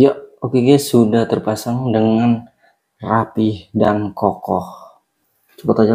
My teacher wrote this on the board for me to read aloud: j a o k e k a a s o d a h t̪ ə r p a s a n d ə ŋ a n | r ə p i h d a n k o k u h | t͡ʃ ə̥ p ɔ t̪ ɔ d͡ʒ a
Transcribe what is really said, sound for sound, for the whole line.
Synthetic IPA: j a o k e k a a s u d a h t̪ ə r p a s a ŋ d ə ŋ a n | r a p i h d a n k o k ɔ h | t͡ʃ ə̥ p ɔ t̪ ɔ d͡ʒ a